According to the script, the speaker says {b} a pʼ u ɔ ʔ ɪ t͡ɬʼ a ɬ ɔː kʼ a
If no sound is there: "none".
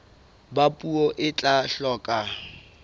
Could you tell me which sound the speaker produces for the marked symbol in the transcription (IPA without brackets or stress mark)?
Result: b